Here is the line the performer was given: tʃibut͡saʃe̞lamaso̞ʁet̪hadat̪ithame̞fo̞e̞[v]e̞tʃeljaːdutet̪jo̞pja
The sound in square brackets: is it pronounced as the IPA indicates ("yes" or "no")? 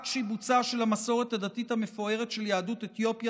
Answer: no